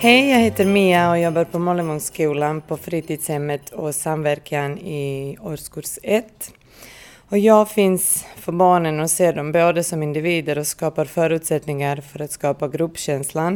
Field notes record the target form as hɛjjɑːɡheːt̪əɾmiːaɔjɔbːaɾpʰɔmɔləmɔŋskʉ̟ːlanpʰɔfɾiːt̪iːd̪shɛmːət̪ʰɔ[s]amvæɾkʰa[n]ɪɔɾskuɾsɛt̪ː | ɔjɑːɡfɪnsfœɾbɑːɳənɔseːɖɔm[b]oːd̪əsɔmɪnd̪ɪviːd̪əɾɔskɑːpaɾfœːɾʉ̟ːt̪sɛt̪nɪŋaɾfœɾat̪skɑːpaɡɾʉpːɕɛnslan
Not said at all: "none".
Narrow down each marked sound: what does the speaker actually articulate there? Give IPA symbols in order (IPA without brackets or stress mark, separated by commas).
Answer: s, n, b